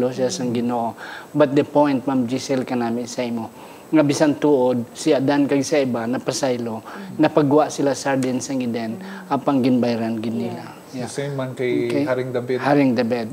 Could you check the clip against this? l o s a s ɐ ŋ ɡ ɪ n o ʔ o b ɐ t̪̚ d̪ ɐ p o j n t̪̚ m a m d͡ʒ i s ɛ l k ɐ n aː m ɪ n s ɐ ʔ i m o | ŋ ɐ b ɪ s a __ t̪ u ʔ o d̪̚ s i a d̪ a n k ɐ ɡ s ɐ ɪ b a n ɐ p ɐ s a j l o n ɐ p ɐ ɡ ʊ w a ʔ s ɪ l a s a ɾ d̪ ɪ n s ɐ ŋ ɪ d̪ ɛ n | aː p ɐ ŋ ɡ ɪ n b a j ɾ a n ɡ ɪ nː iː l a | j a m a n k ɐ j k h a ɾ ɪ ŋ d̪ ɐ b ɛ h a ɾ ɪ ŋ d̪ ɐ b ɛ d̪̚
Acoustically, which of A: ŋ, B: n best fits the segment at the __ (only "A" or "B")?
B